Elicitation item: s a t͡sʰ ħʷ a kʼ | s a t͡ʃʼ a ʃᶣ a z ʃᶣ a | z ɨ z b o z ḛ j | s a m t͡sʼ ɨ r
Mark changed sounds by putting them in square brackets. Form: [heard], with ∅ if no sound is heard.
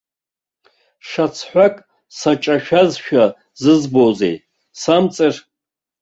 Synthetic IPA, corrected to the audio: [ʂ] a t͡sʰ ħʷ a kʼ | s a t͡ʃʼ a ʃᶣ a z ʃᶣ a | z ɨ z b o z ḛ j | s a m t͡sʼ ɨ r